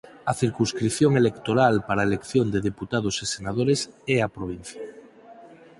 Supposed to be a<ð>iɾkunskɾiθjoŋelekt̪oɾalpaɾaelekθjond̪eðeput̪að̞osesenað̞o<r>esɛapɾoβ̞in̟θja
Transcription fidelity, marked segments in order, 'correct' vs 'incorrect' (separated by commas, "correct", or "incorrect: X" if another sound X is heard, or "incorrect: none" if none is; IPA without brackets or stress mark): incorrect: θ, incorrect: ɾ